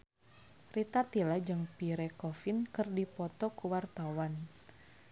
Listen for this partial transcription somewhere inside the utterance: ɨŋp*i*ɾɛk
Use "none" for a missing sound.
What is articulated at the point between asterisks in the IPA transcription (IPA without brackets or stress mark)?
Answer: i